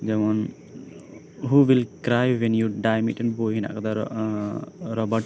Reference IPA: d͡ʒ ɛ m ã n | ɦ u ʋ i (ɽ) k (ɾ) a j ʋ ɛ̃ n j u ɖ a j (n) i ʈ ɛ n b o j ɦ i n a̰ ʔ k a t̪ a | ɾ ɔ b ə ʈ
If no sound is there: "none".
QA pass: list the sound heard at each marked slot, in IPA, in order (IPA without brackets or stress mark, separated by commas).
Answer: l, ɾ, m